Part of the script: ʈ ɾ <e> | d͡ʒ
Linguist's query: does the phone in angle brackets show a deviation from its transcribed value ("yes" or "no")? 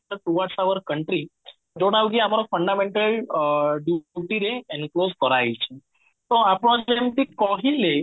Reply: yes